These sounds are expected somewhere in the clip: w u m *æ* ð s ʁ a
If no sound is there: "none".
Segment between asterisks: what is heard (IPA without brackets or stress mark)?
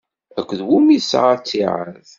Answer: i